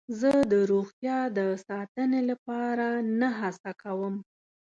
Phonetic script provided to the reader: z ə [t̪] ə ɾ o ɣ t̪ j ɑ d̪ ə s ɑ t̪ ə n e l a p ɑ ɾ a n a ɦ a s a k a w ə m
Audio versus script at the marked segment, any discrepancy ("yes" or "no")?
yes